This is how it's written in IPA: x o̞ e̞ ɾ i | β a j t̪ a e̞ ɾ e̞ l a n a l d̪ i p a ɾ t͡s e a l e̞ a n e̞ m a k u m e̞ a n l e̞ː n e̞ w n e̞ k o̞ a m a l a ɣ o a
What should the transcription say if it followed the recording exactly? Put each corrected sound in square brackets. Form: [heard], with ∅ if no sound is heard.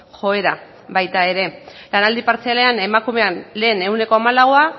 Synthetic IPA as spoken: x o̞ e̞ ɾ [a] | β a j t̪ a e̞ ɾ e̞ l a n a l d̪ i p a ɾ t͡s e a l e̞ a n e̞ m a k u m e̞ a n l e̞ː n e̞ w n e̞ k o̞ a m a l a ɣ o a

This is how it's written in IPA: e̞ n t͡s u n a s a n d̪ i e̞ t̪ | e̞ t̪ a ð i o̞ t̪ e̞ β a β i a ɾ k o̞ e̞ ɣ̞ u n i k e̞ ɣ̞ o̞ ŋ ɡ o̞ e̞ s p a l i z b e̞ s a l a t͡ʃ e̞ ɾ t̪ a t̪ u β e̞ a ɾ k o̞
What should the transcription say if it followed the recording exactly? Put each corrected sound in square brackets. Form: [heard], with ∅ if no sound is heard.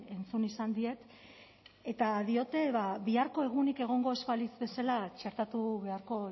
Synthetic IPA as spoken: e̞ n t͡s u n [i] s a n d̪ i e̞ t̪ | e̞ t̪ a ð i o̞ t̪ e̞ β a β i a ɾ k o̞ e̞ ɣ̞ u n i k e̞ ɣ̞ o̞ ŋ ɡ o̞ e̞ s p a l i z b e̞ s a l a t͡ʃ e̞ ɾ t̪ a t̪ u β e̞ a ɾ k o̞

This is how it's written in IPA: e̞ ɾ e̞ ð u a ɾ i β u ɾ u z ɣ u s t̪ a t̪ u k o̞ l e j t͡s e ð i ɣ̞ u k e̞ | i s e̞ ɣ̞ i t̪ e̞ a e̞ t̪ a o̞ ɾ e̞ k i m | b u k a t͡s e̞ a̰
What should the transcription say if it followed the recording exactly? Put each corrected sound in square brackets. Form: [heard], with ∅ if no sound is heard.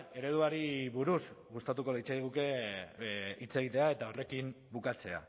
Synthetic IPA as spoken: e̞ ɾ e̞ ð u a ɾ i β u ɾ u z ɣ u s t̪ a t̪ u k o̞ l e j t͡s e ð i ɣ̞ u k e̞ | i [t͡s] e̞ ɣ̞ i t̪ e̞ a e̞ t̪ a o̞ [r] e̞ k i m | b u k a t͡s e̞ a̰

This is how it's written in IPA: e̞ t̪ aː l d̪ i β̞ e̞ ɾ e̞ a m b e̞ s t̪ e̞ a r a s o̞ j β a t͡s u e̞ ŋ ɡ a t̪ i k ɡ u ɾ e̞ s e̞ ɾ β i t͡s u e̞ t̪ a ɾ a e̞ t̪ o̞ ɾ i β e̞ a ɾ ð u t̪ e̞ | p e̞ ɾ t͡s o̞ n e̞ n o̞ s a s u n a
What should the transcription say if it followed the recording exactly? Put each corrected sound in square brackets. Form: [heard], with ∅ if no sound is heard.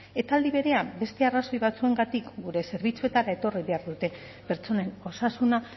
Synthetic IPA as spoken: e̞ t̪ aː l d̪ i β̞ e̞ ɾ e̞ a m b e̞ s t̪ e̞ a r a s o̞ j β a t͡s u e̞ ŋ ɡ a t̪ i k ɡ u ɾ e̞ s e̞ ɾ β i t͡s u e̞ t̪ a ɾ a e̞ t̪ o̞ [r] i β e̞ a ɾ ð u t̪ e̞ | p e̞ ɾ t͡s o̞ n e̞ n o̞ s a s u n a

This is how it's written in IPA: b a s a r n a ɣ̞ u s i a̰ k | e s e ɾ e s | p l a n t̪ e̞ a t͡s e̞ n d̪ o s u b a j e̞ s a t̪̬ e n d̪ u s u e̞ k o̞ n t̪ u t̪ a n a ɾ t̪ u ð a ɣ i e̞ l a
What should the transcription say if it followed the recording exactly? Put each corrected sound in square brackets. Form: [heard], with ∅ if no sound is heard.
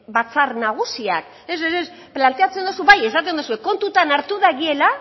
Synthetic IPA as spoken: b a [t͡s] a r n a ɣ̞ u s i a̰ k | e s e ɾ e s | p l a n t̪ e̞ a t͡s e̞ n d̪ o s u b a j e̞ s a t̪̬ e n d̪ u s u e̞ k o̞ n t̪ u t̪ a n a ɾ t̪ u ð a ɣ i e̞ l a

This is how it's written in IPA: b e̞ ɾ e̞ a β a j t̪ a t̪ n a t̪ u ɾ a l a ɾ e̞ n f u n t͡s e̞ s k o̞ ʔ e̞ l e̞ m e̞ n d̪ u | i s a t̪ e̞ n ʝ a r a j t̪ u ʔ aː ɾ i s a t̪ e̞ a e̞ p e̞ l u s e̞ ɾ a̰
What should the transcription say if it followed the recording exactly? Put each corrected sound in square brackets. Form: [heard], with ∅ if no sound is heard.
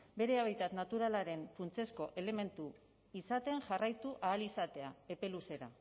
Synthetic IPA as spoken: b e̞ ɾ e̞ a β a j t̪ a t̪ n a t̪ u ɾ a l a ɾ e̞ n f u n t͡s e̞ s k o̞ ʔ e̞ l e̞ m e̞ n [t̪] u | i s a t̪ e̞ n ʝ a r a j t̪ u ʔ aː [l] i s a t̪ e̞ a e̞ p e̞ l u s e̞ ɾ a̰

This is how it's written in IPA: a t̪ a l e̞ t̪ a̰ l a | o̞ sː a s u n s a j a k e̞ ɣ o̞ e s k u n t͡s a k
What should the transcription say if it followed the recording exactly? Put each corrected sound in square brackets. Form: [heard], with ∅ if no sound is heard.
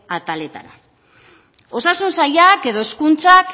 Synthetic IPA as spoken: a t̪ a l e̞ t̪ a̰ [ɾ] a | o̞ [s] a s u n s a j a k e̞ [ð] o̞ e s k u n t͡s a k

